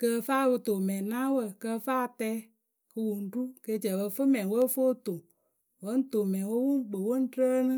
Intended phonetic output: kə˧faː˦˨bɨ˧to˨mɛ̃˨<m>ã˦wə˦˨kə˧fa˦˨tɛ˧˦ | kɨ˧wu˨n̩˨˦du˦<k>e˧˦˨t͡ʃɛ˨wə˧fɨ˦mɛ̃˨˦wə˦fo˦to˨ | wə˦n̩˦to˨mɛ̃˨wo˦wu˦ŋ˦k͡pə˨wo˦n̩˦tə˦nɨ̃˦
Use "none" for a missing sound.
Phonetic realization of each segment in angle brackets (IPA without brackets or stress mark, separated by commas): n, k